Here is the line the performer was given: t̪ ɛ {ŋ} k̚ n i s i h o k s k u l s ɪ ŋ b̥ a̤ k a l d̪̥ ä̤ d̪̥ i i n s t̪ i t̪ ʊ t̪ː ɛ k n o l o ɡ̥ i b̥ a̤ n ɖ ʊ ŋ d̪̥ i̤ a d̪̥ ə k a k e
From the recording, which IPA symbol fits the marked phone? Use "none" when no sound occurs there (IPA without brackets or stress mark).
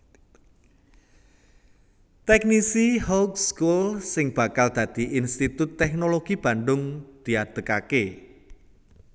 none